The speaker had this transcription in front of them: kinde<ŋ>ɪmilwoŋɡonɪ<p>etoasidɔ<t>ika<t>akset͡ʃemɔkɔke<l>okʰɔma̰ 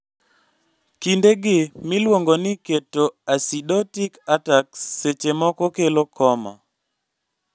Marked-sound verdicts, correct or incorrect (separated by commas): incorrect, incorrect, correct, correct, correct